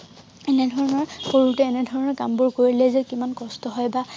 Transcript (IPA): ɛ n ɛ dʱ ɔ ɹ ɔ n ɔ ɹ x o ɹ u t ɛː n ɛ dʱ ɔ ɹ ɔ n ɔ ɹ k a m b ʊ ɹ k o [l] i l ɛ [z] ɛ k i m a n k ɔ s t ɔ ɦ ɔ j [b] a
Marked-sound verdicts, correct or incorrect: incorrect, correct, correct

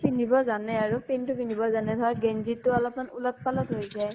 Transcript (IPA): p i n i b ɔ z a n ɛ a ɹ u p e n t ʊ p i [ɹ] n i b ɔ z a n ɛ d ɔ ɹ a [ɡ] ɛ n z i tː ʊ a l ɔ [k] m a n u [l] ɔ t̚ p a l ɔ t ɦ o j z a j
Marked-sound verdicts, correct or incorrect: incorrect, correct, incorrect, correct

